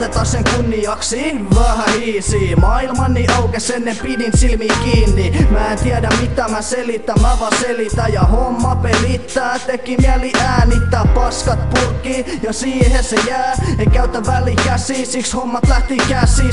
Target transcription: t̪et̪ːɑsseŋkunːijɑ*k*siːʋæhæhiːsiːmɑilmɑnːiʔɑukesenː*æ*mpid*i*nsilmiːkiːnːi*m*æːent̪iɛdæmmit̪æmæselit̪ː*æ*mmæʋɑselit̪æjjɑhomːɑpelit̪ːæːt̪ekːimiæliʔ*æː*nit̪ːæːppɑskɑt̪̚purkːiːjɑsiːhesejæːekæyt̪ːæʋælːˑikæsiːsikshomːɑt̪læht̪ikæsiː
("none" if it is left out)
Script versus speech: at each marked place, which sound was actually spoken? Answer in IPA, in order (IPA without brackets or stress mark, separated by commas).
k, e, i, m, æ, æː